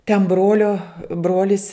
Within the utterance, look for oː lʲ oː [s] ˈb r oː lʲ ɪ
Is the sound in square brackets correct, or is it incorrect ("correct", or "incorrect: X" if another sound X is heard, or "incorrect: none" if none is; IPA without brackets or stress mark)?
incorrect: none